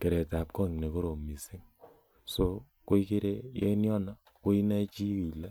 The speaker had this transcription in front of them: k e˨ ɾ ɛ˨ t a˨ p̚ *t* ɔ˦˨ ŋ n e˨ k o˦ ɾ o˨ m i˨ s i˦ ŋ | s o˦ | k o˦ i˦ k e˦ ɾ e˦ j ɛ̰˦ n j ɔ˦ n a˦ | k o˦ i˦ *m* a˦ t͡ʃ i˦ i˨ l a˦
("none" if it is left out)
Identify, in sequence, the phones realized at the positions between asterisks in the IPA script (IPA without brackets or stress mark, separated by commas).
k, n